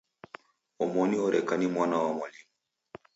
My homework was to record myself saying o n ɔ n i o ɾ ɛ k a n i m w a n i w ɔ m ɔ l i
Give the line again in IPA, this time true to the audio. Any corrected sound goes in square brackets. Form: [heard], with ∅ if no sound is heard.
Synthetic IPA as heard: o [m] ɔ n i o ɾ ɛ k a n i m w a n [a] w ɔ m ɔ l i